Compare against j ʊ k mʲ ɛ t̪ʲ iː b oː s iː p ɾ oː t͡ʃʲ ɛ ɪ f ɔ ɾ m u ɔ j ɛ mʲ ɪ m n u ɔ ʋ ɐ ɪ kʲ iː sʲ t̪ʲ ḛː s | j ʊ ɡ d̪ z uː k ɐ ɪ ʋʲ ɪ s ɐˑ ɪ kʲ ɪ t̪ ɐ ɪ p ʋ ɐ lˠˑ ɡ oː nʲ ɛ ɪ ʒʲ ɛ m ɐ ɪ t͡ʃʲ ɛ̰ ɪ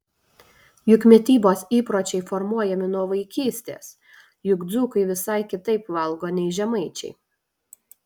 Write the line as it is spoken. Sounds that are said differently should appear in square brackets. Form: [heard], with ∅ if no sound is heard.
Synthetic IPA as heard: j ʊ k mʲ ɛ t̪ʲ iː b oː s iː p ɾ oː t͡ʃʲ ɛ ɪ f ɔ ɾ m u ɔ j ɛ mʲ ɪ [∅] n u ɔ ʋ ɐ ɪ kʲ iː sʲ t̪ʲ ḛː s | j ʊ ɡ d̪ z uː k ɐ ɪ ʋʲ ɪ s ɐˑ ɪ kʲ ɪ t̪ ɐ ɪ p ʋ ɐ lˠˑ ɡ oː nʲ ɛ ɪ ʒʲ ɛ m ɐ ɪ t͡ʃʲ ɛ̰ ɪ